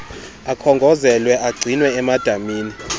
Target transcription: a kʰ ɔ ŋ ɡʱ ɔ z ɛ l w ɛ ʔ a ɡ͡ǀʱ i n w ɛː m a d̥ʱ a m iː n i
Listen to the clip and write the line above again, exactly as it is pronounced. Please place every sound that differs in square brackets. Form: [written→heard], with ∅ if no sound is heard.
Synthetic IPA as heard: a kʰ ɔ ŋ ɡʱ ɔ z ɛ l w ɛ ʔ a ɡ͡ǀʱ i n w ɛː m a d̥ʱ a m iː n i